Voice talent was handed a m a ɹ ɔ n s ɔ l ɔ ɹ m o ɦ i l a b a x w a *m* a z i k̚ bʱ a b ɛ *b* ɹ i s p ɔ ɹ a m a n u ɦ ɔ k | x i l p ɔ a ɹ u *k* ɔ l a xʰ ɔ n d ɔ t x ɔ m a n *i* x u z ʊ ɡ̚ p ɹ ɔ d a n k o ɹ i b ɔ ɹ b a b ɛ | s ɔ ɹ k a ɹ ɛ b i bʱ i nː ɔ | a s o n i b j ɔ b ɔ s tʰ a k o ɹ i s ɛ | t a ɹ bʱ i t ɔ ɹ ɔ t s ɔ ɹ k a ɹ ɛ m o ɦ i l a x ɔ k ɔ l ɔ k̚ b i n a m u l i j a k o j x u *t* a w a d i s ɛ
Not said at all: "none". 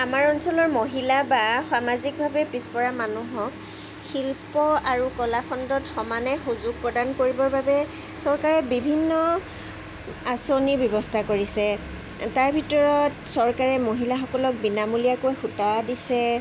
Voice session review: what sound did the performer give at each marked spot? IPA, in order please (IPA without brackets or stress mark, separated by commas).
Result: m, p, k, ɛ, t